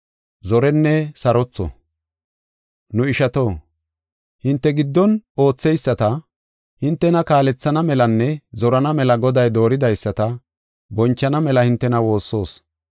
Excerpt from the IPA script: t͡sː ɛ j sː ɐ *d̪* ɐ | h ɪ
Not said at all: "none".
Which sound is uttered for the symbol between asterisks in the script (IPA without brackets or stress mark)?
t̪